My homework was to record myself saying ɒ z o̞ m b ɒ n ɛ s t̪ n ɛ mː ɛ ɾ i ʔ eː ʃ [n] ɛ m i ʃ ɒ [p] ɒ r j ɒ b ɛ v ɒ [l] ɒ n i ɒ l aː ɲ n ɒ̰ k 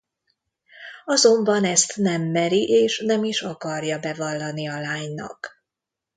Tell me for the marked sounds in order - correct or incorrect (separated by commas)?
correct, incorrect, incorrect